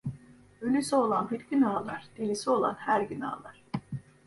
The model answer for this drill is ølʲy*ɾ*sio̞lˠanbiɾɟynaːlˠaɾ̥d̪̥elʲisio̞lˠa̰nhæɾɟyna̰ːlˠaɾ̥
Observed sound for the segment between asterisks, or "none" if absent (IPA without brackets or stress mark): none